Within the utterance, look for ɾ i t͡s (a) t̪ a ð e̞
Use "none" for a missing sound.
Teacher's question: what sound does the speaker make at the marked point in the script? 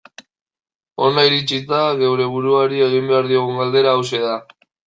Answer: i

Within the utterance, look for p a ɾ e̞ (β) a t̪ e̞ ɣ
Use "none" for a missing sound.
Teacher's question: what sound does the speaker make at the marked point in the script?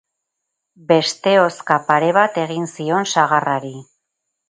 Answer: β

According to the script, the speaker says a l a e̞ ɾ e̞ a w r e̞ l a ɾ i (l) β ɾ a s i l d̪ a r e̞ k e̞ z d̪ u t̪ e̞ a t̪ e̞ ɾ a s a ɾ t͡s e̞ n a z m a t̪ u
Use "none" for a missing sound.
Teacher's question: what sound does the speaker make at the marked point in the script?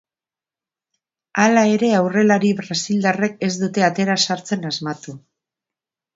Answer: none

